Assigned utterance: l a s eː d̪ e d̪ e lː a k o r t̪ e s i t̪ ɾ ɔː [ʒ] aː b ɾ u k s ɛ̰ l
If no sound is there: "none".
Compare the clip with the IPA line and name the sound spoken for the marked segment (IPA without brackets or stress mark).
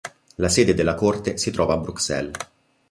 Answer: v